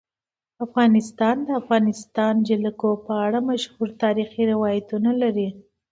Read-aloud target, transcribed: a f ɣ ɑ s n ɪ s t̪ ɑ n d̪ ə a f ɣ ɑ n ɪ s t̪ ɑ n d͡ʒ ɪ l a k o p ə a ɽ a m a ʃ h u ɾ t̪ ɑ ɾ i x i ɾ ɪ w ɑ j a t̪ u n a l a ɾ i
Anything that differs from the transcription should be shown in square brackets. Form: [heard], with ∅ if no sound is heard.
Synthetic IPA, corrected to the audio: a f ɣ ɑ [∅] n ɪ s t̪ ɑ n d̪ ə a f ɣ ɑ n ɪ s t̪ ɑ n d͡ʒ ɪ l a k o p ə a ɽ a m a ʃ h u ɾ t̪ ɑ ɾ i x i ɾ ɪ w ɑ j a t̪ u n a l a ɾ i